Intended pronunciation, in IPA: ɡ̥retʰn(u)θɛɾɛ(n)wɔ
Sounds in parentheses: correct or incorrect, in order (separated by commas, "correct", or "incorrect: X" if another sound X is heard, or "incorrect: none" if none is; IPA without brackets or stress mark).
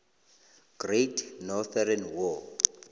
incorrect: ɔ, correct